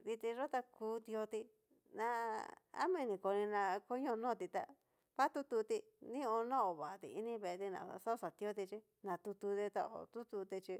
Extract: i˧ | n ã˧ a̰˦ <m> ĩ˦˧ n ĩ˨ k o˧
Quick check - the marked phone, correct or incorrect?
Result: correct